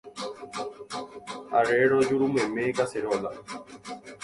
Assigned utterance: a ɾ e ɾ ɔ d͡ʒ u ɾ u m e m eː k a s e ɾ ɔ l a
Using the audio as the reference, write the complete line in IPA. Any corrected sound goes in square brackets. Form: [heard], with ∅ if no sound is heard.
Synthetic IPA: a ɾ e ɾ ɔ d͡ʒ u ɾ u m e m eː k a s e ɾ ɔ l a